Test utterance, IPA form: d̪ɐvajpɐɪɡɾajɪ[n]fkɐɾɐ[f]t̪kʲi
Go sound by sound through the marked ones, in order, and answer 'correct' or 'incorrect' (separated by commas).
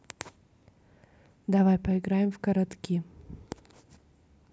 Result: incorrect, incorrect